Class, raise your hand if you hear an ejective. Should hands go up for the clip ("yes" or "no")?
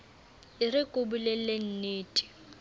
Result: yes